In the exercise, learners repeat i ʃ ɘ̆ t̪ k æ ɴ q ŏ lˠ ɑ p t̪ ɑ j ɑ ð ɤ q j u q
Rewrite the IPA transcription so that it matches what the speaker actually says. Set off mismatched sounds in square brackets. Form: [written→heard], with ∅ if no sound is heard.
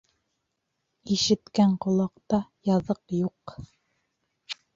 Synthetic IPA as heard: i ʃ ɘ̆ t̪ k æ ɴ q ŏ lˠ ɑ [p→q] t̪ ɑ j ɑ ð ɤ q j u q